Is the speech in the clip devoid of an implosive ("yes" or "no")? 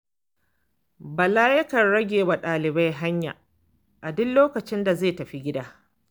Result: no